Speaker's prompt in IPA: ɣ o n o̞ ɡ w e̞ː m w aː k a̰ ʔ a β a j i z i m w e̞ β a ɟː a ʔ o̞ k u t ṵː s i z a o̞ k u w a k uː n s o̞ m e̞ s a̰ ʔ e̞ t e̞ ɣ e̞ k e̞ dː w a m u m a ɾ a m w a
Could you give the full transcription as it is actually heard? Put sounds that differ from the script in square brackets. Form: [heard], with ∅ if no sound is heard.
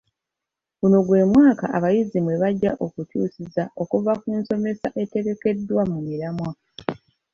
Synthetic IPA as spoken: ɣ [u] n o̞ ɡ w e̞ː m w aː k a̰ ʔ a β a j i z i m w e̞ β a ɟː a ʔ o̞ k u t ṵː s i z a o̞ k u [v] a k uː n s o̞ m e̞ s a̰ ʔ e̞ t e̞ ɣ e̞ k e̞ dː w a m u m [i] ɾ a m w a